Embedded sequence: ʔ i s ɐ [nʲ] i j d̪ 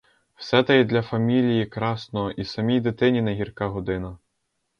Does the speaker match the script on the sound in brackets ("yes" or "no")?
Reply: no